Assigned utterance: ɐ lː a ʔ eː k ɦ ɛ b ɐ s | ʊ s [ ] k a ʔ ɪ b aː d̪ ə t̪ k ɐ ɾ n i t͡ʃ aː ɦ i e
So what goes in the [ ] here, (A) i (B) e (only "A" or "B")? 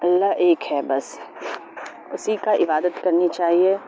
A